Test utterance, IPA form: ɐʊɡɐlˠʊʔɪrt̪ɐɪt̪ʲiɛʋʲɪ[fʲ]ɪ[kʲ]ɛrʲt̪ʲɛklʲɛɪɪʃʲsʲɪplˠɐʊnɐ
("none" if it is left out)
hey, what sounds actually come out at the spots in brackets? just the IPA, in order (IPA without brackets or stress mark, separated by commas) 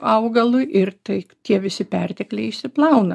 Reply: sʲ, pʲ